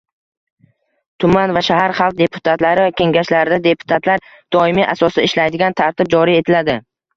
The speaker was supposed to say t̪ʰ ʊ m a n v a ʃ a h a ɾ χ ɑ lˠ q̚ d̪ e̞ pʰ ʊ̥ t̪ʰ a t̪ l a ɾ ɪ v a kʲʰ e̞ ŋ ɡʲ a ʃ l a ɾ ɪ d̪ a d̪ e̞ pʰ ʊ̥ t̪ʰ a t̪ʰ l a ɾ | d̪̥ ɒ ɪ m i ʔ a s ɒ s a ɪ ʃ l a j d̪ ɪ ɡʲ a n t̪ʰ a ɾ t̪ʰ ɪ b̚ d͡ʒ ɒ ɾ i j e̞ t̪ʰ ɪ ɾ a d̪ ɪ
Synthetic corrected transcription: t̪ʰ ʊ m a n v a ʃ a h a ɾ χ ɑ lˠ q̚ d̪ e̞ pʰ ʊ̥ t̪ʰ a t̪ l a ɾ ɪ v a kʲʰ e̞ ŋ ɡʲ a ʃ l a ɾ ɪ d̪ a d̪ e̞ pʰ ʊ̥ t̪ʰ a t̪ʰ l a ɾ | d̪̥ ɒ ɪ m i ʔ a s ɒ s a ɪ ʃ l a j d̪ ɪ ɡʲ a n t̪ʰ a ɾ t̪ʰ ɪ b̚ d͡ʒ ɒ ɾ i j e̞ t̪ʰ ɪ l a d̪ ɪ